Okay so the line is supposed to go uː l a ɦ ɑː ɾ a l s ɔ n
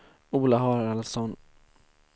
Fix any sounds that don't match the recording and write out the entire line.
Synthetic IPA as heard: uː l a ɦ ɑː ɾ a l s ɔ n